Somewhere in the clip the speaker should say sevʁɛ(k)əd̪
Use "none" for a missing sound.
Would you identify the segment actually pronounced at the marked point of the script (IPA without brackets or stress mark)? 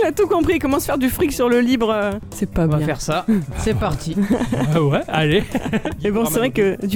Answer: k